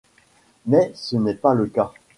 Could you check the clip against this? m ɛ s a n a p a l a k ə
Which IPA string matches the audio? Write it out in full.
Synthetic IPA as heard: m ɛ s ə n ɛ p a l ə k a